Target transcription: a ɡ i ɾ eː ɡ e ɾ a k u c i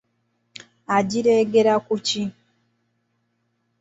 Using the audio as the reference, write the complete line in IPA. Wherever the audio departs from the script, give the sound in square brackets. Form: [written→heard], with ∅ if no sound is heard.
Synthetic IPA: a [ɡ→ɟ] i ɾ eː ɡ e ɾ a k u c i